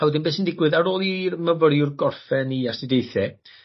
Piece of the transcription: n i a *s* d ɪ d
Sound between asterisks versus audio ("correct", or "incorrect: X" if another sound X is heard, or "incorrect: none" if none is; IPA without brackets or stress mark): correct